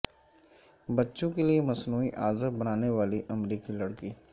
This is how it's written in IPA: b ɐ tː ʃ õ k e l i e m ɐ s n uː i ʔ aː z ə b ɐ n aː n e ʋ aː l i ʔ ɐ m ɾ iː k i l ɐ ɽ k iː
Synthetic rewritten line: b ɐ tː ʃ õ k e l i e m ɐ s n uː i ʔ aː z ə b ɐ n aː n e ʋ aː l i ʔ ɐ m ɾ iː k i l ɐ ɽ k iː

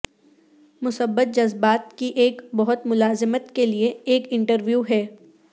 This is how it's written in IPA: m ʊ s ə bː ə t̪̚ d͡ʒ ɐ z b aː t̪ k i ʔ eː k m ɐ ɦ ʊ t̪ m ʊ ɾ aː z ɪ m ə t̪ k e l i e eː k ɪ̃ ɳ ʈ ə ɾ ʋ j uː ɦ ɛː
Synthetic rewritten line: m ʊ s ə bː ə t̪̚ d͡ʒ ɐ z b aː t̪ k i ʔ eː k b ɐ ɦ ʊ t̪ m ʊ l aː z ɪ m ə t̪ k e l i e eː k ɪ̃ ɳ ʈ ə ɾ ʋ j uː ɦ ɛː

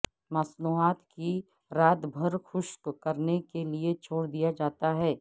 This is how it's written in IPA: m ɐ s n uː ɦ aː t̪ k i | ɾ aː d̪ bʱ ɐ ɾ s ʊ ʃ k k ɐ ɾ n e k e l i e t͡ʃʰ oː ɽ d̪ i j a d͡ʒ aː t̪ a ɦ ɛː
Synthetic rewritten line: m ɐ s n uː ɦ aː t̪ k i | ɾ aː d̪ bʱ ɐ ɾ x ʊ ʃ k k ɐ ɾ n e k e l i e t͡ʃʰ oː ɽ d̪ i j a d͡ʒ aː t̪ a ɦ ɛː

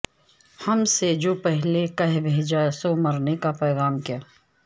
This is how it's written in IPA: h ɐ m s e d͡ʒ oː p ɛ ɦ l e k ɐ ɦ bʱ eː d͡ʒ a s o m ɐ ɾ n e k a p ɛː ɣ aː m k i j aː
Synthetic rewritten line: h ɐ m s e d͡ʒ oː p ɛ ɦ l e k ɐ ɦ bʱ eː d͡ʒ a s o m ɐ ɾ n e k a p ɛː ɣ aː m k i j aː

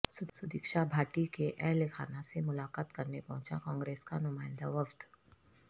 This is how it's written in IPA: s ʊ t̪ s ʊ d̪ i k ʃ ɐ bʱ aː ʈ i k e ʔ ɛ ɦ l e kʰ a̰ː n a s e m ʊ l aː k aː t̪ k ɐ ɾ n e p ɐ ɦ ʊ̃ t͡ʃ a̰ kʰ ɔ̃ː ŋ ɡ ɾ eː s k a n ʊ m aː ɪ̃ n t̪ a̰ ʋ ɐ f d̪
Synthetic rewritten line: s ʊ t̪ s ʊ d̪ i k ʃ a bʱ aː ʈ i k e ʔ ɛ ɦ l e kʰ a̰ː n a s e m ʊ l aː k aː t̪ k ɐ ɾ n e p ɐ ɦ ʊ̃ t͡ʃ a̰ k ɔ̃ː ŋ ɡ ɾ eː s k a n ʊ m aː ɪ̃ n d̪ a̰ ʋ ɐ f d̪

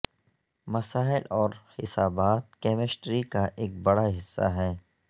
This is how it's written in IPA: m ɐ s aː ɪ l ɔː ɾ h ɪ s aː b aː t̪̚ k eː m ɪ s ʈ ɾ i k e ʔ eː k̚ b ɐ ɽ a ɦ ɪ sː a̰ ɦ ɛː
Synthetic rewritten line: m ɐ s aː ɪ l ɔː ɾ h ɪ s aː b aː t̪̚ k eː m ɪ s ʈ ɾ i k a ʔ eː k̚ b ɐ ɽ a ɦ ɪ sː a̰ ɦ ɛː

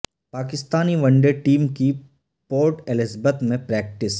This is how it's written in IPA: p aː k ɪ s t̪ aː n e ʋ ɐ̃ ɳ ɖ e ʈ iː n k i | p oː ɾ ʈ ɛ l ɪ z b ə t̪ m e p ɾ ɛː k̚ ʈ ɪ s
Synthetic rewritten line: p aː k ɪ s t̪ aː n i ʋ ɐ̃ ɳ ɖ e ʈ iː m k i | p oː ɾ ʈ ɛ l ɪ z b ə t̪ m ẽ p ɾ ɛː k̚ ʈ ɪ s

